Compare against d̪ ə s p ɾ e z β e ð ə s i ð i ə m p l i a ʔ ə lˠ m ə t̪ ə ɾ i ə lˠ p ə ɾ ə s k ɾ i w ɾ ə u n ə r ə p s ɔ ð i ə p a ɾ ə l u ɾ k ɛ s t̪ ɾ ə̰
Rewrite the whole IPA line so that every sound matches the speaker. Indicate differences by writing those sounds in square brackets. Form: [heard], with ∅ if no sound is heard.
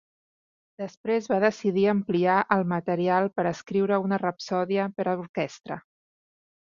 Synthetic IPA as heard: d̪ ə s p ɾ e z β [a] ð ə s i ð i ə m p l i a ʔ ə lˠ m ə t̪ ə ɾ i [a] lˠ p ə ɾ ə s k ɾ i w ɾ ə u n ə r ə p s ɔ ð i ə p [ə] ɾ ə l u ɾ k ɛ s t̪ ɾ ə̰

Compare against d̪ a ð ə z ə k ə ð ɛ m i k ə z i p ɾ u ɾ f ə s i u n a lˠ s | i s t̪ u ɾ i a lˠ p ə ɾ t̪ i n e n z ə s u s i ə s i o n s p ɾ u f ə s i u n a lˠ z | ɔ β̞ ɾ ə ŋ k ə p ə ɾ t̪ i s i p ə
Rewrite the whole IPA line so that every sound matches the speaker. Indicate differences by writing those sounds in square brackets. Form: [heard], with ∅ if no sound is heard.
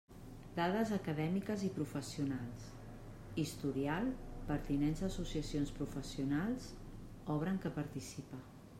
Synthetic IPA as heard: d̪ a ð ə z ə k ə ð ɛ m i k ə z i p ɾ u [∅] f ə s i u n a lˠ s | i s t̪ u ɾ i a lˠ p ə ɾ t̪ i n e n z ə s u s i ə s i o n s p ɾ u f ə s i u n a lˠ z | ɔ β̞ ɾ ə ŋ k ə p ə ɾ t̪ i s i p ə

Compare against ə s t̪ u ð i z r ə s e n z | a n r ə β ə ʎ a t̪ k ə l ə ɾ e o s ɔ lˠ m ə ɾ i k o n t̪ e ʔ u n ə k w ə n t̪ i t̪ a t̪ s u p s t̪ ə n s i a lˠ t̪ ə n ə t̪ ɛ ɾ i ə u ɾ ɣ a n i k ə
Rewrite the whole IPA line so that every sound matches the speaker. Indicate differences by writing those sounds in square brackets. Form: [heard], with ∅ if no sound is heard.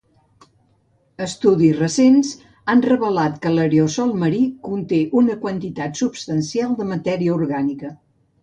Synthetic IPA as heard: ə s t̪ u ð i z r ə s e n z | a n r ə β ə [l] a t̪ k ə l ə ɾ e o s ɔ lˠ m ə ɾ i k [u] n t̪ e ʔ u n ə k w ə n t̪ i t̪ a t̪ s u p s t̪ ə n s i a lˠ [d̪] ə [m] ə t̪ ɛ ɾ i ə u ɾ ɣ a n i k ə

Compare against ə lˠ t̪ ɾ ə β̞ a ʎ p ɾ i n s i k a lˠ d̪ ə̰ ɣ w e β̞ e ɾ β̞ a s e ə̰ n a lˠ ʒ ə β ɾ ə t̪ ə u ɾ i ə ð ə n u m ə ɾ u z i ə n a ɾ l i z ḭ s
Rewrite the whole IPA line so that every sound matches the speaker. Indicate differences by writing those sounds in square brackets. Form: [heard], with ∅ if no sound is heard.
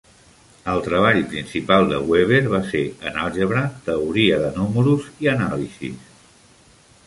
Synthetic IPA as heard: ə lˠ t̪ ɾ ə β̞ a ʎ p ɾ i n s i [p] a lˠ d̪ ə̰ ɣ w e β̞ e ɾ β̞ a s e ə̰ n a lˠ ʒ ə β ɾ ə t̪ ə u ɾ i ə ð ə n u m ə ɾ u z i ə n a [∅] l i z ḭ s

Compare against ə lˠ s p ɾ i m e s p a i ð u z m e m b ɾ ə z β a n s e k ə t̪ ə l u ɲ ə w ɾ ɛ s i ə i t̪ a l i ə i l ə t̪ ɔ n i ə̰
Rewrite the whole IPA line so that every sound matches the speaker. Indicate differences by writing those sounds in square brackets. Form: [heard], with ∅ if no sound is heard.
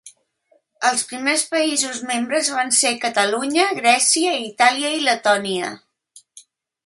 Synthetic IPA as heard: ə lˠ s p ɾ i m e s p [ə] i [z] u z m e m b ɾ ə z β a n s e k ə t̪ ə l u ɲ ə [ɣ] ɾ ɛ s i ə i t̪ a l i ə i l ə t̪ ɔ n i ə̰

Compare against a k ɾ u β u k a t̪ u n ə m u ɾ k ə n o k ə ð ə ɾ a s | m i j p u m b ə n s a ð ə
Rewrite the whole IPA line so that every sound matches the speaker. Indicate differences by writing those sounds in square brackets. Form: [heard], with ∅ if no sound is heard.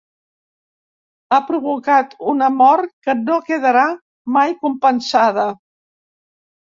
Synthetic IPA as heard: a [p] ɾ u β u k a t̪ u n ə m [ɔ] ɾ k ə n o k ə ð ə ɾ a [∅] | m [a] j [k] u m [p] ə n s a ð ə

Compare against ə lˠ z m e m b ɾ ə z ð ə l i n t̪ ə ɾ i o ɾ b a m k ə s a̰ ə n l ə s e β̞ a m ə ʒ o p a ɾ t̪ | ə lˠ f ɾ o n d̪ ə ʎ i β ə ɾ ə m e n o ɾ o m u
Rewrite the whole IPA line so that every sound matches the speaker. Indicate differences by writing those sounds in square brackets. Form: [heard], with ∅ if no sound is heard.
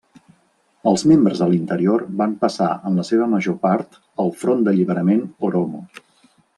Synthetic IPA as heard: ə lˠ z m e m b ɾ ə z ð ə l i n t̪ ə ɾ i o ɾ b a m [p] ə s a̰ ə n l ə s e β̞ [ə] m ə ʒ o p a ɾ t̪ | ə lˠ f ɾ o n d̪ ə ʎ i β ə ɾ ə m e n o ɾ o m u

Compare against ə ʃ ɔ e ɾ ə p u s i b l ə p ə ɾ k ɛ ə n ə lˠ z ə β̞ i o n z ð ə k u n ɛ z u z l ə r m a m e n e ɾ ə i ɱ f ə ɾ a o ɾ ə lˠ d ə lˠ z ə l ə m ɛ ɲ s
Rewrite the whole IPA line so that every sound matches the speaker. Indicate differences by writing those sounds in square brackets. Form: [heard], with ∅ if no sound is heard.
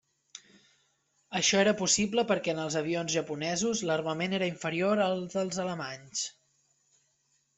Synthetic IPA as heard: ə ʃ ɔ e ɾ ə p u s i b l ə p ə ɾ k ɛ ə n ə lˠ z ə β̞ i o n z [ʒ] ə [p] u n ɛ z u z l ə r m [ə] m e n e ɾ ə i ɱ f ə ɾ [i] o ɾ ə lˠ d ə lˠ z ə l ə m [a] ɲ s

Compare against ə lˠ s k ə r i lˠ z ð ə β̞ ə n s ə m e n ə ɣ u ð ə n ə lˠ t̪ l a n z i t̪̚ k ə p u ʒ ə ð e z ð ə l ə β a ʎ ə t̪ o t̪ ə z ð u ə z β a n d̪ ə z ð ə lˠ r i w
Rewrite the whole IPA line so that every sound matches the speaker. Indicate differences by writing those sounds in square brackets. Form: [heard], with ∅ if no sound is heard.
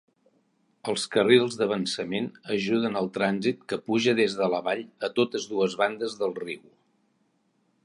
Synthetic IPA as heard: ə lˠ s k ə r i lˠ z ð ə β̞ ə n s ə m e n ə [ʒ] u ð ə n ə lˠ t̪ [ɾ] a n z i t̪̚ k ə p u ʒ ə ð e z ð ə l ə β a ʎ ə t̪ o t̪ ə z ð u ə z β a n d̪ ə z ð ə lˠ r i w

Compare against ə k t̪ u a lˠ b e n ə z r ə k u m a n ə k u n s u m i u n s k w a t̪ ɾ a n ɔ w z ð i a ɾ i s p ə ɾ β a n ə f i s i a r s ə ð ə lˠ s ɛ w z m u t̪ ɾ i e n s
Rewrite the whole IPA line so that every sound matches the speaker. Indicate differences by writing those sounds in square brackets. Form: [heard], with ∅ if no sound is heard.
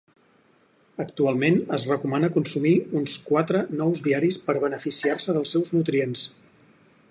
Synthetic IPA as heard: ə k t̪ u a lˠ [m] e n ə z r ə k u m a n ə k u n s u m i u n s k w a t̪ ɾ [ə] n ɔ w z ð i a ɾ i s p ə ɾ β [ə] n ə f i s i a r s ə ð ə lˠ s ɛ w z [n] u t̪ ɾ i e n s

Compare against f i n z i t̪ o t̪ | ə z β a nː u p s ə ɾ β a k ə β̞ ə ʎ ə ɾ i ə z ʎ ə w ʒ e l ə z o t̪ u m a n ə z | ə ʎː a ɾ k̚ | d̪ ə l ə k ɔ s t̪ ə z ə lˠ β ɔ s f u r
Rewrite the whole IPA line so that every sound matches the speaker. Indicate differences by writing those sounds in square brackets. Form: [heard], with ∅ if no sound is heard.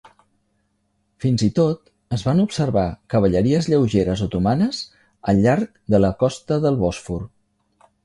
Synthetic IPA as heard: f i n z i t̪ o t̪ | ə z β a [n] u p s ə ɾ β a k ə β̞ ə ʎ ə ɾ i ə z ʎ ə w ʒ e [ɾ] ə z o t̪ u m a n ə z | ə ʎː a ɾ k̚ | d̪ ə l ə k ɔ s t̪ ə [ð] ə lˠ β ɔ s f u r

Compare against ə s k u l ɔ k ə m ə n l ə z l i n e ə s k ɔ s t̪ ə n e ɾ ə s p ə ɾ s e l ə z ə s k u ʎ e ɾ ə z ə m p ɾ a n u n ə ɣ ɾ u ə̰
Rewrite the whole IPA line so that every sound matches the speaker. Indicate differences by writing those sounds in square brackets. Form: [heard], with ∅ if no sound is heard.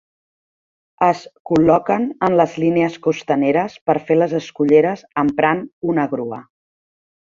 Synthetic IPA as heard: ə s k u l ɔ k ə [n] ə n l ə z l i n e ə s k [u] s t̪ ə n e ɾ ə s p ə ɾ [f] e l ə z ə s k u ʎ e ɾ ə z ə m p ɾ a n u n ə ɣ ɾ u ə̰

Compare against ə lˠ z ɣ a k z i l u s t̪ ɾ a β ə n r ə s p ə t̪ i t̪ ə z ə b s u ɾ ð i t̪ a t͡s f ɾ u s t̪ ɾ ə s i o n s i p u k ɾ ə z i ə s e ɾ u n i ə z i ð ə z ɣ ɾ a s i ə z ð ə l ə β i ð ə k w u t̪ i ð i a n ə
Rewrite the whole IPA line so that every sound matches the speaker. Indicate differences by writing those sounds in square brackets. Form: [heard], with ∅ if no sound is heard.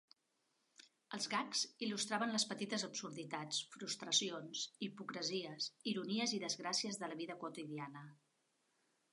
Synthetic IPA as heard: ə lˠ z ɣ a k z i l u s t̪ ɾ a β ə n [l] ə s p ə t̪ i t̪ ə z ə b s u ɾ ð i t̪ a t͡s f ɾ u s t̪ ɾ ə s i o n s i p u k ɾ ə z i ə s [i] ɾ u n i ə z i ð ə z ɣ ɾ a s i ə z ð ə l ə β i ð ə k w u t̪ i ð i a n ə

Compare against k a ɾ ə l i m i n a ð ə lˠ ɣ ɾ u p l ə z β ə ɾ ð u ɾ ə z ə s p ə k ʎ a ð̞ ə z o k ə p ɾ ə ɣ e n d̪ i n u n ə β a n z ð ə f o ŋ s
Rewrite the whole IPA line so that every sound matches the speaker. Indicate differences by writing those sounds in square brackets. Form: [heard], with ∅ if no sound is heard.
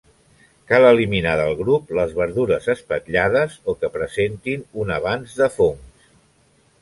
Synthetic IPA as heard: k a [l] ə l i m i n a ð ə lˠ ɣ ɾ u p l ə z β ə ɾ ð u ɾ ə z ə s p ə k ʎ a ð̞ ə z o k ə p ɾ ə [z] e n [t̪] i n u n ə β a n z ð ə f o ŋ s

